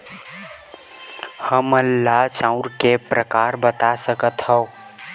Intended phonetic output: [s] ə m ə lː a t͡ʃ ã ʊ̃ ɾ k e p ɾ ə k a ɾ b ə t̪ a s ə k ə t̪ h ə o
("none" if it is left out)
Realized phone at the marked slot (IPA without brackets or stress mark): h